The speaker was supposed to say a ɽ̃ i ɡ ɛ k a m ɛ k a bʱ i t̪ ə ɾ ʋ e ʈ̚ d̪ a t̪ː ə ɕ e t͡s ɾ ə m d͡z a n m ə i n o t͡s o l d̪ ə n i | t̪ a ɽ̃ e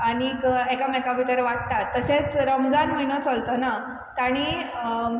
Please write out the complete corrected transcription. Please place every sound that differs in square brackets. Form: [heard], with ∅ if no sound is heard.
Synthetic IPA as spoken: a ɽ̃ i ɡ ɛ k a m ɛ k a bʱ i t̪ ə ɾ ʋ [a] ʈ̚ [t̪] a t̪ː ə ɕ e t͡s ɾ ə m d͡z a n m ə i n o t͡s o l [t̪] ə n [a] | t̪ a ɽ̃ [i]